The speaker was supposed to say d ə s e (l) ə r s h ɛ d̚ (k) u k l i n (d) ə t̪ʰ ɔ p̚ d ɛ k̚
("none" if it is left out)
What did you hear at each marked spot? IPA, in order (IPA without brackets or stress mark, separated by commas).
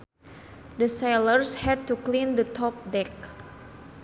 l, t, d